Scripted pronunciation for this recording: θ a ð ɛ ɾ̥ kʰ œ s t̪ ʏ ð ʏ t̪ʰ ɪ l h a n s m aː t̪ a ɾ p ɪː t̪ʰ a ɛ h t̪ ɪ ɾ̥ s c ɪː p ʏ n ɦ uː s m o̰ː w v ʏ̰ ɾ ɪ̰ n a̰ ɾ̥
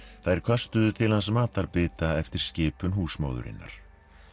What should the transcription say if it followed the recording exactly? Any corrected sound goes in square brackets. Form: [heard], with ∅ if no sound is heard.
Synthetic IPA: θ a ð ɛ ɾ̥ kʰ œ s t̪ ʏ ð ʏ t̪ʰ ɪ l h a n s m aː t̪ a ɾ p ɪː [t̪] a ɛ [f] t̪ ɪ ɾ̥ s c ɪː p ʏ n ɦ uː s m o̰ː w [ð] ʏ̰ ɾ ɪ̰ [nː] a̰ ɾ̥